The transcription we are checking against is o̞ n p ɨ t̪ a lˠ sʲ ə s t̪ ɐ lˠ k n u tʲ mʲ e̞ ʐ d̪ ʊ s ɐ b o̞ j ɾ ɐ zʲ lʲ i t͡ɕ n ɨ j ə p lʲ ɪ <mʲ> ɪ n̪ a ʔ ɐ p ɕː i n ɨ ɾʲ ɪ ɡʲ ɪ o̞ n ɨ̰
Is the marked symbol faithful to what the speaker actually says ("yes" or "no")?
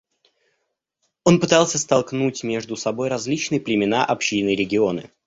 yes